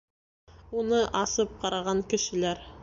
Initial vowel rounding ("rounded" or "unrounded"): rounded